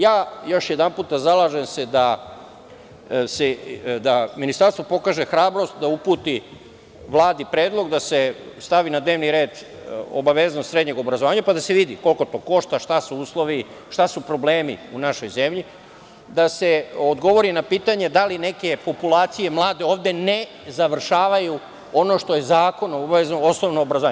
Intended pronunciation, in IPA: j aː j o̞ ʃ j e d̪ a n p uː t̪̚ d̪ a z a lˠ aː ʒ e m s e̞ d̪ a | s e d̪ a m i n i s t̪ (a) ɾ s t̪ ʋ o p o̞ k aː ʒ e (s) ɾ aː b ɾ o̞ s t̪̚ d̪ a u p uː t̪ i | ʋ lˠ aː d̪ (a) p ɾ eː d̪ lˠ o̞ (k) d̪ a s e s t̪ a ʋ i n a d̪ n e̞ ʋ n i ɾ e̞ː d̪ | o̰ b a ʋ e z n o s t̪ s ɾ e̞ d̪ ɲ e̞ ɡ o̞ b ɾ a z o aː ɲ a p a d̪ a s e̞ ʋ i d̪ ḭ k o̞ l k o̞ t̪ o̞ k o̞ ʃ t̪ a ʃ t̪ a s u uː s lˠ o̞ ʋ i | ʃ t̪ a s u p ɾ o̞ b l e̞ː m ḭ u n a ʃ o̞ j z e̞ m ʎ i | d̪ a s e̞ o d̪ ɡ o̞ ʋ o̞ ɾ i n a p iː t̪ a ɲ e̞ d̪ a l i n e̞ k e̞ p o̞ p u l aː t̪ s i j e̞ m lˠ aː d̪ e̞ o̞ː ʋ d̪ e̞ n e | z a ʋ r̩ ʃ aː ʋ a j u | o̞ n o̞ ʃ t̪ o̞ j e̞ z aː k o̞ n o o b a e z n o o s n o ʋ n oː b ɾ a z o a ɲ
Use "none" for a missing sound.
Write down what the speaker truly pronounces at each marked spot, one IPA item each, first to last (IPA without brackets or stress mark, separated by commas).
a, x, i, ɡ